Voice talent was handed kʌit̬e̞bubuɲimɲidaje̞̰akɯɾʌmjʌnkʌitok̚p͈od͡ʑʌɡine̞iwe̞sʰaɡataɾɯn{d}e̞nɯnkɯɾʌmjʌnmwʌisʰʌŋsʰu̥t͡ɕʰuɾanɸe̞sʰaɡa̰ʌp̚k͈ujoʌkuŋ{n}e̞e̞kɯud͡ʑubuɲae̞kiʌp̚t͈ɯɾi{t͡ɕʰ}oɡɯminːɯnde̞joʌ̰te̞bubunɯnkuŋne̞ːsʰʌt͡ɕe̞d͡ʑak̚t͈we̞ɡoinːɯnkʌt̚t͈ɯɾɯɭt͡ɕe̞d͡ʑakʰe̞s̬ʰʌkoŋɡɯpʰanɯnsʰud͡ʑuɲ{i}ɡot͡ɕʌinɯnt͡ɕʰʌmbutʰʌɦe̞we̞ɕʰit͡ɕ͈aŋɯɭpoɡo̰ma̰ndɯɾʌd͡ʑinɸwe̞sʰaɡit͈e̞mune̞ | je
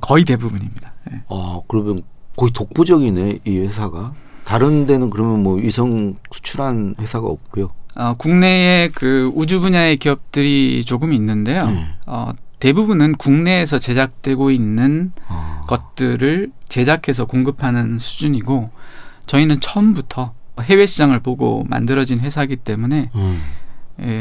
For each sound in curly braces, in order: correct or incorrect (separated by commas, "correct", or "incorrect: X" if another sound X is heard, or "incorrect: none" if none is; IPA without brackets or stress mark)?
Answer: correct, correct, incorrect: t͡ɕ, correct